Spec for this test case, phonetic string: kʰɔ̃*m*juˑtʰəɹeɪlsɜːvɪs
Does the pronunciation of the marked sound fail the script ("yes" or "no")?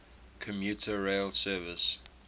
no